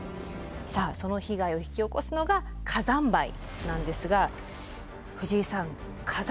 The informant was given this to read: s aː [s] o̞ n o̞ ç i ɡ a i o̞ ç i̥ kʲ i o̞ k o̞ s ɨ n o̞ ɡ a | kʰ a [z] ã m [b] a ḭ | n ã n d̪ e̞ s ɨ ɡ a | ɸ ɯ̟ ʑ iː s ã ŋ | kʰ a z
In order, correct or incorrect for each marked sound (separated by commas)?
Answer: correct, correct, correct